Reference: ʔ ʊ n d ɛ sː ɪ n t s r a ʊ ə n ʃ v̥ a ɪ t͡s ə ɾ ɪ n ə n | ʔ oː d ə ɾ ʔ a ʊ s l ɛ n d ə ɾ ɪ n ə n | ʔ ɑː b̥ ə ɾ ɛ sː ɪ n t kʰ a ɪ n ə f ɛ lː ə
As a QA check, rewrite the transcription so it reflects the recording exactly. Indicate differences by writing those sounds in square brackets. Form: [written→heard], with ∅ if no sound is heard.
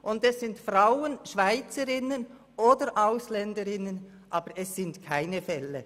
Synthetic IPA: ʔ ʊ n d ɛ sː ɪ n t [s→f] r a ʊ ə n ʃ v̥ a ɪ t͡s ə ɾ ɪ n ə n | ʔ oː d ə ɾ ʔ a ʊ s l ɛ n d ə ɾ ɪ n ə n | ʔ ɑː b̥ ə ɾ ɛ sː ɪ n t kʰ a ɪ n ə f ɛ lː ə